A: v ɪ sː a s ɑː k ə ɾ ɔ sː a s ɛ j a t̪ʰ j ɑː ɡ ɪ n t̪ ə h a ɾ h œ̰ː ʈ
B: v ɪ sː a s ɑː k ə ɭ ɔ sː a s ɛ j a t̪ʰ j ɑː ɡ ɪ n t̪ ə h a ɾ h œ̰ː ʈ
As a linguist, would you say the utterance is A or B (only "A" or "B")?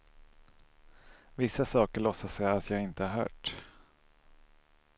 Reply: B